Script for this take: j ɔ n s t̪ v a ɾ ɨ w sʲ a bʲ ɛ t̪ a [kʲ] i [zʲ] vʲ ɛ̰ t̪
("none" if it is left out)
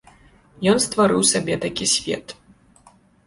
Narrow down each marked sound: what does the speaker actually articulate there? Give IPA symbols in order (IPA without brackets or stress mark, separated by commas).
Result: kʲ, sʲ